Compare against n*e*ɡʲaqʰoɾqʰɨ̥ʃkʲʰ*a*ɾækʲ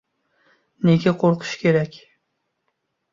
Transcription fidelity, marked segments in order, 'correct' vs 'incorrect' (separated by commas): correct, incorrect